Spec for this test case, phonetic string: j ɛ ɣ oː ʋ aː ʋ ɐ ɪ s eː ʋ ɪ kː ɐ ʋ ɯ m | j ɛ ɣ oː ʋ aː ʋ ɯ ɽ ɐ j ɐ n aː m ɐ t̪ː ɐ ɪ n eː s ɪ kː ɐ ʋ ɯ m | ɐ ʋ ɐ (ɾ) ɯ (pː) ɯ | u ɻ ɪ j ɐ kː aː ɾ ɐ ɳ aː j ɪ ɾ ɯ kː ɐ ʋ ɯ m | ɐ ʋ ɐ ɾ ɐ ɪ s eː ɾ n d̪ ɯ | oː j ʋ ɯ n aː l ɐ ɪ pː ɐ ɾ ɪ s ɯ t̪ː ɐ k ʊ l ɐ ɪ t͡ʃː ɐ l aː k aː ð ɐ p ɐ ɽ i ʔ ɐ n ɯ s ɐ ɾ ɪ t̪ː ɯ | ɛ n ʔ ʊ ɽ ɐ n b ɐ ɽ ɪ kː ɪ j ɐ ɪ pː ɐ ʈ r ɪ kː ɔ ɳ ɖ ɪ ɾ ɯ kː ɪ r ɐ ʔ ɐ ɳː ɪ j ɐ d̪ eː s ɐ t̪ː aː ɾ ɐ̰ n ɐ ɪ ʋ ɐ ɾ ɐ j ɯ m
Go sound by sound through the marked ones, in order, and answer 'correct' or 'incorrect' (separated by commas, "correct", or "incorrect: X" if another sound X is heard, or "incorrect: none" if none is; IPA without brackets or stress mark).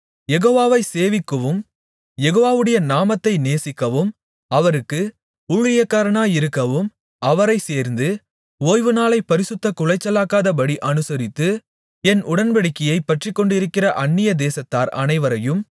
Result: correct, incorrect: kː